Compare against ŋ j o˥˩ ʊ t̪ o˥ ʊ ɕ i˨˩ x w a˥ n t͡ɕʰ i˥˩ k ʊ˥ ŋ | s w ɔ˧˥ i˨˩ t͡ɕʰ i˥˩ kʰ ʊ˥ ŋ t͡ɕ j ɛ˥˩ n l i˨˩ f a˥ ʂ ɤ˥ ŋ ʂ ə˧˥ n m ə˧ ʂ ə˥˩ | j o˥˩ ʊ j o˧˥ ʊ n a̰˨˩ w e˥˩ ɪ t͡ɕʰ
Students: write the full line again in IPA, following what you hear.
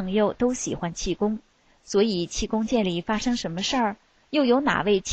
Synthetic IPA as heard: ŋ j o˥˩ ʊ t̪ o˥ ʊ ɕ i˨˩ x w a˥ n t͡ɕʰ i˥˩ k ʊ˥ ŋ | s w ɔ˧˥ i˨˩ t͡ɕʰ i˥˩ k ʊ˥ ŋ t͡ɕ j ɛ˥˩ n l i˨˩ f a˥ ʂ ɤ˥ ŋ ʂ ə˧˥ n m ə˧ ʂ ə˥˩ | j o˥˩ ʊ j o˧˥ ʊ n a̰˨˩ w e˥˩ ɪ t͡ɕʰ